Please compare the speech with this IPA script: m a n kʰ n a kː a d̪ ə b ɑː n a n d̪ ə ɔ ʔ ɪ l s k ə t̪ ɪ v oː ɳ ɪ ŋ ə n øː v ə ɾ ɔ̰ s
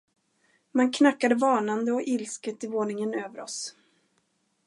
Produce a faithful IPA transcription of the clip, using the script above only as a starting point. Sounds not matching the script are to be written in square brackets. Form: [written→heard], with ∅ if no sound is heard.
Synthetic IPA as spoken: m a n kʰ n a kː a d̪ ə [b→v] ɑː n a n d̪ ə ɔ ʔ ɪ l s k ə t̪ ɪ v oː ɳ ɪ ŋ ə n øː v ə ɾ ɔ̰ s